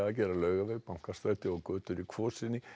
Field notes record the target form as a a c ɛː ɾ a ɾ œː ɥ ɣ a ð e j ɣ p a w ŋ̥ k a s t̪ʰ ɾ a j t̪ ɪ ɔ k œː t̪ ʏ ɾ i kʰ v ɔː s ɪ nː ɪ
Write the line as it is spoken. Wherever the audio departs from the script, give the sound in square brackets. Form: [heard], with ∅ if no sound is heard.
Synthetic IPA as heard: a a c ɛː ɾ a [l] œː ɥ ɣ a [v] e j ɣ p a w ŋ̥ k a s [t̪] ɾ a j t̪ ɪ ɔ k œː t̪ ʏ ɾ i kʰ v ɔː s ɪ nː ɪ